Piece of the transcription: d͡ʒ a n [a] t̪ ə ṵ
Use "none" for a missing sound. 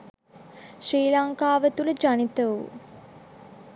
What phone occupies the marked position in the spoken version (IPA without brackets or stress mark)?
i